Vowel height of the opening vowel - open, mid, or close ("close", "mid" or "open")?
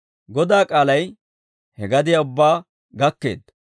mid